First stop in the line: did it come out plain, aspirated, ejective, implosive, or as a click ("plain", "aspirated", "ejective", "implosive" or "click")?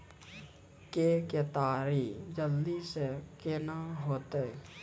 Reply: plain